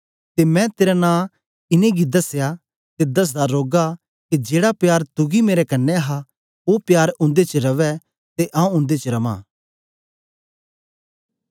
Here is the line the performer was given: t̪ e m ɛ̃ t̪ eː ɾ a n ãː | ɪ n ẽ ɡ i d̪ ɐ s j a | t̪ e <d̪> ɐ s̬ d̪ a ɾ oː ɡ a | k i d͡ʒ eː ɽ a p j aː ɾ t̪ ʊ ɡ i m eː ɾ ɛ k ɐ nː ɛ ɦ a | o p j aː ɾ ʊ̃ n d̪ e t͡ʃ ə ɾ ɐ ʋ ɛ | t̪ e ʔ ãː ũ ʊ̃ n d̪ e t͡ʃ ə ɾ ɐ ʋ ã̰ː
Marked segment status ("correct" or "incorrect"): correct